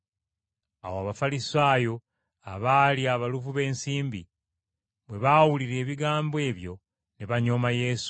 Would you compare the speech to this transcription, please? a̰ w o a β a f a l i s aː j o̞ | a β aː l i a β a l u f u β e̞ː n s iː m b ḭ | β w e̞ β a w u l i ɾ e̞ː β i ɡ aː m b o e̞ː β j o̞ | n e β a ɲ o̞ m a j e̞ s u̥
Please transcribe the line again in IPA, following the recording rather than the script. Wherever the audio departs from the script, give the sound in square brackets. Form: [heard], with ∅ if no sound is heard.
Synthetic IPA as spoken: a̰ w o a β a f a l i s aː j o̞ | a β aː l i a β a l u [v] u β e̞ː n s iː m b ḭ | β w e̞ β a w u l i ɾ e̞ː β i ɡ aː m b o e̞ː β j o̞ | n e β a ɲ o̞ m a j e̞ s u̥